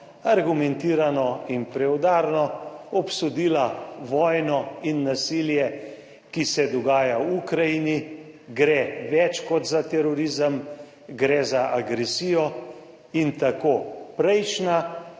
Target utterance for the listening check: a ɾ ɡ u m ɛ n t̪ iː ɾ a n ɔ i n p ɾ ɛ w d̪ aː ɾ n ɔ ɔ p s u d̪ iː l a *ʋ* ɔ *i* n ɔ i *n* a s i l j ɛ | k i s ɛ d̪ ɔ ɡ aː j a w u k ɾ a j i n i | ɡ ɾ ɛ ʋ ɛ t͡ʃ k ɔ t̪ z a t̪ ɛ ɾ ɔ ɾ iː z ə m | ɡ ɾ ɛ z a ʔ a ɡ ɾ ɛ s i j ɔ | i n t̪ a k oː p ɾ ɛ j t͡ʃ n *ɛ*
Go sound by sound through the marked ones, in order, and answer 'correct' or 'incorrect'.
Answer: correct, incorrect: j, incorrect: nː, incorrect: a

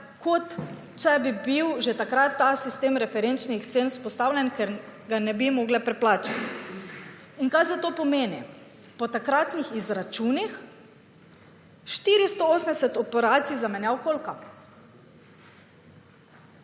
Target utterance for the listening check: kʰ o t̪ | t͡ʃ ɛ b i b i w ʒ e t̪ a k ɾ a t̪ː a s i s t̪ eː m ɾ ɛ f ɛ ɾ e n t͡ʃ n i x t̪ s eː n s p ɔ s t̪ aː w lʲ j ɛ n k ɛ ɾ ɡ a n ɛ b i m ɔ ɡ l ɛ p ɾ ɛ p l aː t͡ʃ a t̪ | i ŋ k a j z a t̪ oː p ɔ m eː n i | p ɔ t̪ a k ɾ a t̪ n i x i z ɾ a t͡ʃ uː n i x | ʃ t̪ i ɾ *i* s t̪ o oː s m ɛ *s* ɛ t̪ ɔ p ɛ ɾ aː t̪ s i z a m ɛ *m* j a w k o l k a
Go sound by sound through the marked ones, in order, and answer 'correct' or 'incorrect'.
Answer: correct, correct, incorrect: n

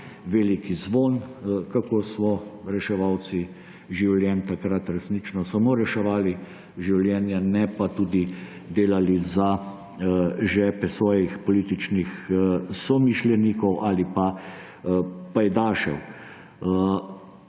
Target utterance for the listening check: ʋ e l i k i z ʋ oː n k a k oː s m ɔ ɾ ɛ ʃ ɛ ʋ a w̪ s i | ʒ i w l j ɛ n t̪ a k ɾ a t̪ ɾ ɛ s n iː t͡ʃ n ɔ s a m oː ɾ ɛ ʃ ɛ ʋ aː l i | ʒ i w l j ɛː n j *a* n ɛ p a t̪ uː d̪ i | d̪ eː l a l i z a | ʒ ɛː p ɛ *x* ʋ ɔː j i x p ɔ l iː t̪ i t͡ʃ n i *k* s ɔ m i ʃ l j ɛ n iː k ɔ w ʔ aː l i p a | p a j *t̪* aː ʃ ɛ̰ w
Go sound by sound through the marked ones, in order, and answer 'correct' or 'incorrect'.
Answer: correct, incorrect: s, incorrect: x, incorrect: d̪

